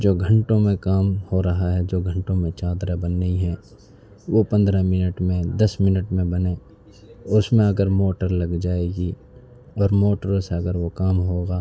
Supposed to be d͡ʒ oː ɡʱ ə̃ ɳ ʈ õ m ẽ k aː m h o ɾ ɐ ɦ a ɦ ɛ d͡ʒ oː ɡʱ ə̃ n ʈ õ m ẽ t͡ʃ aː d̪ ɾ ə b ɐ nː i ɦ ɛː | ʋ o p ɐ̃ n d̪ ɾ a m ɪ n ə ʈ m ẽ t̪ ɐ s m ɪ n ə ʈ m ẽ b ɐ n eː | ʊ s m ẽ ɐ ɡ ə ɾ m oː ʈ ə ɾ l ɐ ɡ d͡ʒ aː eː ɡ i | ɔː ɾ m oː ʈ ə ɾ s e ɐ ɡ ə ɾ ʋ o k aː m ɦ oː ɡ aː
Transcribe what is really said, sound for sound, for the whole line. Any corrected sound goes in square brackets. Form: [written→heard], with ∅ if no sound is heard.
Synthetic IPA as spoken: d͡ʒ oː ɡʱ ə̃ ɳ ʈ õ m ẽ k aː m h o ɾ ɐ ɦ a ɦ ɛ d͡ʒ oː ɡʱ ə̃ [n→ɳ] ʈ õ m ẽ t͡ʃ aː d̪ ɾ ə b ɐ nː i ɦ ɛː | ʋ o p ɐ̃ n d̪ ɾ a m ɪ n ə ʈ m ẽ [t̪→d̪] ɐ s m ɪ n ə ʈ m ẽ b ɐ n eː | ʊ s m ẽ ɐ ɡ ə ɾ m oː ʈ ə ɾ l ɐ ɡ d͡ʒ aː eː ɡ i | ɔː ɾ m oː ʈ ə ɾ s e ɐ ɡ ə ɾ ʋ o k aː m ɦ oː ɡ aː